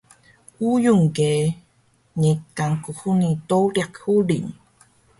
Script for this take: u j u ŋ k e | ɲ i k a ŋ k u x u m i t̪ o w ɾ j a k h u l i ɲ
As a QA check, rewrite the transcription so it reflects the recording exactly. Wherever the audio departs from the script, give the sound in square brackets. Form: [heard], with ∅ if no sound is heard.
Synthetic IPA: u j u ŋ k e | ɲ i k a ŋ k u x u [n] i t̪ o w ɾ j a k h u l i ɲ